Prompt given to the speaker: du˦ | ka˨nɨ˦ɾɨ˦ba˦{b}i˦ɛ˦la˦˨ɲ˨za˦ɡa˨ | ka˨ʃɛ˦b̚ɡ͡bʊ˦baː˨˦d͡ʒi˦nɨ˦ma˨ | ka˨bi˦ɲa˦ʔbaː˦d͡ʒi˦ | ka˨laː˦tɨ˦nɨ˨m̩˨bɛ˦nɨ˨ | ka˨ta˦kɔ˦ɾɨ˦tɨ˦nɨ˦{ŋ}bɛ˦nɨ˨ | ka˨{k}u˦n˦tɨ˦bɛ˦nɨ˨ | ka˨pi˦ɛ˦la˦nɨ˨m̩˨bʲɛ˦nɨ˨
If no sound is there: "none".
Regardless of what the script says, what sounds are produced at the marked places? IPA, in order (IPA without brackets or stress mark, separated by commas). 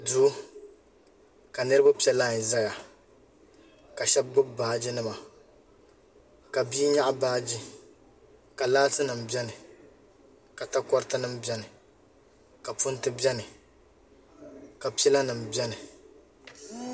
p, m, p